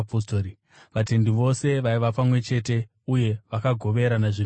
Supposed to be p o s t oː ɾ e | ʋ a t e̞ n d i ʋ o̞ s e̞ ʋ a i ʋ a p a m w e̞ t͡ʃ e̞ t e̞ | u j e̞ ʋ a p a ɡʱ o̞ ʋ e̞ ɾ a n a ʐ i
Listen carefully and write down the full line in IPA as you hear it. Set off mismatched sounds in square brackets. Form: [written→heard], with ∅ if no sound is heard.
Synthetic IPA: p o s t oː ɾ [e→i] | ʋ a t e̞ n d i ʋ o̞ s e̞ ʋ a i ʋ a p a m w e̞ t͡ʃ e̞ t e̞ | u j e̞ ʋ a [p→k] a ɡʱ o̞ ʋ e̞ ɾ a n a ʐ i